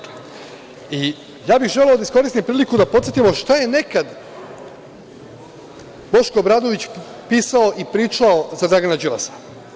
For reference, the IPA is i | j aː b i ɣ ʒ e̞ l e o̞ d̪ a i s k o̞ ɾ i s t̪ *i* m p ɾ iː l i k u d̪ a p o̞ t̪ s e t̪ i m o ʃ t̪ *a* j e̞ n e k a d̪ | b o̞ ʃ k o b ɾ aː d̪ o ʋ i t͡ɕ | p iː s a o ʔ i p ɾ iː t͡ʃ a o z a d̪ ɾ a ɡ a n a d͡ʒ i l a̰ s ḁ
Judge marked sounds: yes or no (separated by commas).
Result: yes, yes